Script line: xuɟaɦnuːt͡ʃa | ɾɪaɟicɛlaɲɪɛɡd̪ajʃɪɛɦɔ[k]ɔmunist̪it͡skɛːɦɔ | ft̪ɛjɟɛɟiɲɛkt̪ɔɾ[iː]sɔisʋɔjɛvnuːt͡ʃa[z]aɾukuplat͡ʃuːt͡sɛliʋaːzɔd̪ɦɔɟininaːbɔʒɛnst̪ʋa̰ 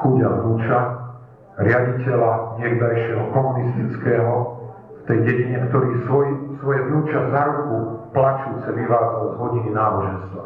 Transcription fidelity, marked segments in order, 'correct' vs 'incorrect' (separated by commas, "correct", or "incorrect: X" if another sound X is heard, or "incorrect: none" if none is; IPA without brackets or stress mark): correct, correct, correct